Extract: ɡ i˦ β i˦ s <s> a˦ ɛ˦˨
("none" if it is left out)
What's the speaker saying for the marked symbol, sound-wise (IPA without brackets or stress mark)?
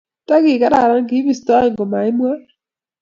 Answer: t